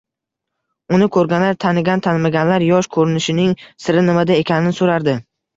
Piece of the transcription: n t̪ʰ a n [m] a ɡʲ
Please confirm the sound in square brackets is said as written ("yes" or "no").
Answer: yes